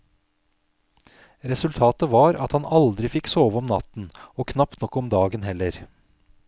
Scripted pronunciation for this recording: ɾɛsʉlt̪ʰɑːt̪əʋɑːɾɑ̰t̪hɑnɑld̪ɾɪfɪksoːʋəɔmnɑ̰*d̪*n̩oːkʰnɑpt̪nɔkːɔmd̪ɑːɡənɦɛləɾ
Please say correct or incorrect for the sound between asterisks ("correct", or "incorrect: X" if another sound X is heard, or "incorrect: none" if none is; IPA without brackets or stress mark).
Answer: incorrect: t̪